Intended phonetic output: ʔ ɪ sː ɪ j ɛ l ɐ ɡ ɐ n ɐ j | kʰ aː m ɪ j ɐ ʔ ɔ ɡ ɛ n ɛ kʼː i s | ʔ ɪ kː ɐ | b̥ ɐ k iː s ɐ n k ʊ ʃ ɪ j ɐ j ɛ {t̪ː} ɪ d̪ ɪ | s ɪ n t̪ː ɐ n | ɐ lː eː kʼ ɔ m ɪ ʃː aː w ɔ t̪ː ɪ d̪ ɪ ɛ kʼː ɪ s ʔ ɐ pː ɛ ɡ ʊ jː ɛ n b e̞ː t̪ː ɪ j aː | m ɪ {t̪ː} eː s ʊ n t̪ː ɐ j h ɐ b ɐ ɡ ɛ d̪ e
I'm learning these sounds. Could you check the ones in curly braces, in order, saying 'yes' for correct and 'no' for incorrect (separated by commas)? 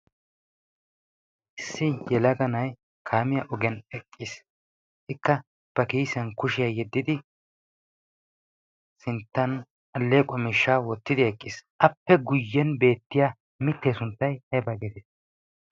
no, yes